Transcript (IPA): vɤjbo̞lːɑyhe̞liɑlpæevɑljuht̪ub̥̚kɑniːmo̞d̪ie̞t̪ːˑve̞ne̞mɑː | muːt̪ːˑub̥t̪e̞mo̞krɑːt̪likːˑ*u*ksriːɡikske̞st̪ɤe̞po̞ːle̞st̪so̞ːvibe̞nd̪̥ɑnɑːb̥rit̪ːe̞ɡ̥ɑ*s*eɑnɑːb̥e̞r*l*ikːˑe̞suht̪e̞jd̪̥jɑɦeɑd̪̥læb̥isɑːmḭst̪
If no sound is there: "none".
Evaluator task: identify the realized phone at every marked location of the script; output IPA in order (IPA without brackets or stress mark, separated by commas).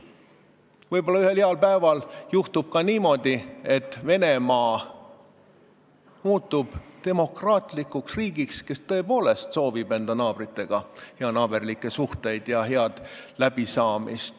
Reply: u, h, l